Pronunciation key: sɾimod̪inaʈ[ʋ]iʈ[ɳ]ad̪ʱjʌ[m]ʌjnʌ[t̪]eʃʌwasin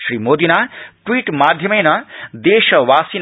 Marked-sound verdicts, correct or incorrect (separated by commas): incorrect, incorrect, correct, incorrect